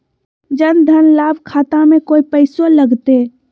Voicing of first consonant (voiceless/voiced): voiced